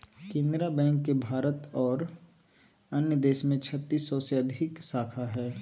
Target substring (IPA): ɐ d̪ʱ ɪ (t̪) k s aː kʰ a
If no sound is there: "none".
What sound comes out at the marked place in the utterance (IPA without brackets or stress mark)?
none